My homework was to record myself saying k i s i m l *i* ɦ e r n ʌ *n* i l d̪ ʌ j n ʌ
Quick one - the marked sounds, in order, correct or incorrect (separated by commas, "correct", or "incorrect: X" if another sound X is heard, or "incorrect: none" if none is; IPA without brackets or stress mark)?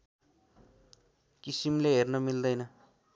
incorrect: e, incorrect: m